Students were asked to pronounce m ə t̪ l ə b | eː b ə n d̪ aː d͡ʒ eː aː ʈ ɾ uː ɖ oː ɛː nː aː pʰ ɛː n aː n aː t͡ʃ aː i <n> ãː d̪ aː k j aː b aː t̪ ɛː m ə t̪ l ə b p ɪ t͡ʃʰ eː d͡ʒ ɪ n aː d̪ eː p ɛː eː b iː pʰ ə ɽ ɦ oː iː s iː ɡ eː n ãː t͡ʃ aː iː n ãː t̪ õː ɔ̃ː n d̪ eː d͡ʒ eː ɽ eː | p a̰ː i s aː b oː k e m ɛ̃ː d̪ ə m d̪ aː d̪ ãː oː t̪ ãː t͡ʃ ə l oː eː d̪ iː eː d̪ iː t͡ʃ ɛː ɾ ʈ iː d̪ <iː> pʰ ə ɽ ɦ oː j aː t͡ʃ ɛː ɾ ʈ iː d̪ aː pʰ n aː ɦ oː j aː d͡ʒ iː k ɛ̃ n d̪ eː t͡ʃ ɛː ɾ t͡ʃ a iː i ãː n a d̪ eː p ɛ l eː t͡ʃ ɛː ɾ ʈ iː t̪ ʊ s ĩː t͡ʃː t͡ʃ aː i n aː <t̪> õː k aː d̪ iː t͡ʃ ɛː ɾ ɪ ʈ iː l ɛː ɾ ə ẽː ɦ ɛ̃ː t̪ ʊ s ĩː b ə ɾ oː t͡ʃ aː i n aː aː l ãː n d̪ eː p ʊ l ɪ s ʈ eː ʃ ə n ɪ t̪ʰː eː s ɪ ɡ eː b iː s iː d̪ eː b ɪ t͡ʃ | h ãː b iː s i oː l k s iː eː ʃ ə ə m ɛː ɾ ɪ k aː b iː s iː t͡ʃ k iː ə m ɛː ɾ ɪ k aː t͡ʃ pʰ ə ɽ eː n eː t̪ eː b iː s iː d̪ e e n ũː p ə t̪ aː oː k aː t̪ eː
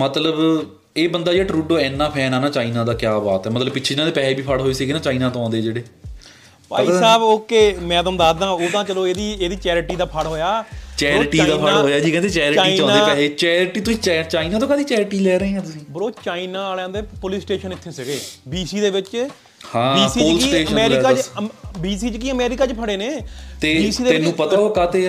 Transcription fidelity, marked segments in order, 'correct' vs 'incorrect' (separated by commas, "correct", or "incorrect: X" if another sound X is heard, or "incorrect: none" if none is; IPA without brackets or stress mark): correct, incorrect: aː, correct